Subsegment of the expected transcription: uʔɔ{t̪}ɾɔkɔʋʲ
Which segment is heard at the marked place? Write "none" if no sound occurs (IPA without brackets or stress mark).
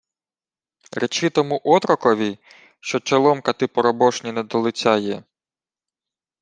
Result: t̪